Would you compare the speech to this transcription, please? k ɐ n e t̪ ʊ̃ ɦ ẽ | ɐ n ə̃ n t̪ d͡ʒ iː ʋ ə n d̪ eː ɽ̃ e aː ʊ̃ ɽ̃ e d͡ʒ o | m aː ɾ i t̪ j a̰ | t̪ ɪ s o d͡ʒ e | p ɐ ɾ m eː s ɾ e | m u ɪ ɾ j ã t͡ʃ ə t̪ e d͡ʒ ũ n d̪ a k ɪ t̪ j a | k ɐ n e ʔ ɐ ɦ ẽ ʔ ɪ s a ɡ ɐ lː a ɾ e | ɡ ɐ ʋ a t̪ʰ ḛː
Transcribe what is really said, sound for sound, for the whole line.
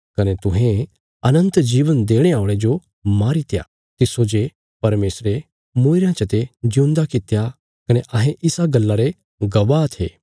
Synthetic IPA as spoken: k ɐ n e t̪ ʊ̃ ɦ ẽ | ɐ n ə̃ n t̪ d͡ʒ iː ʋ ə n d̪ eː ɽ̃ e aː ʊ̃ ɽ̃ e d͡ʒ o | m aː ɾ i t̪ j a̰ | t̪ ɪ s o d͡ʒ e | p ɐ ɾ m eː s ɾ e | m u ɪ ɾ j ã t͡ʃ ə t̪ e d͡ʒ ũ n d̪ a k ɪ t̪ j a | k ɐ n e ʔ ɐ ɦ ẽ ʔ ɪ s a ɡ ɐ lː a ɾ e | ɡ ɐ ʋ a t̪ʰ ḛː